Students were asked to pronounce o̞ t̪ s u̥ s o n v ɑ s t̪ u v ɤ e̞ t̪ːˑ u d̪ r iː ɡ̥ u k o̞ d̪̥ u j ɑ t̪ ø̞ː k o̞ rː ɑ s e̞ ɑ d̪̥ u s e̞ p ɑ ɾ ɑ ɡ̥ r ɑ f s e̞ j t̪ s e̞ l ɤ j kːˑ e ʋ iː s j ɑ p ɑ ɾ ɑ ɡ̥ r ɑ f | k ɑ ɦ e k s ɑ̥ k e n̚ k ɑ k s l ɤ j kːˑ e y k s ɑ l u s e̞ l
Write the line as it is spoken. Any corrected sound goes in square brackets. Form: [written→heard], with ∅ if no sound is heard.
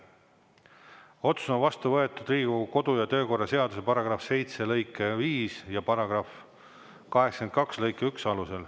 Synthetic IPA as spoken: o̞ t̪ s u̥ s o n v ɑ s t̪ u v ɤ e̞ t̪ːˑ u d̪ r iː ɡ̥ u k o̞ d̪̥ u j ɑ t̪ ø̞ː k o̞ rː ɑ s e̞ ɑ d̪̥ u s e̞ p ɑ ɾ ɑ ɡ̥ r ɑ f s e̞ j t̪ s e̞ l ɤ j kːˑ e [ʋ→v] iː s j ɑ p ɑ ɾ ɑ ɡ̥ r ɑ f | k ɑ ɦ e k s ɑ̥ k e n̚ k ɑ k s l ɤ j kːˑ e y k s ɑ l u s e̞ l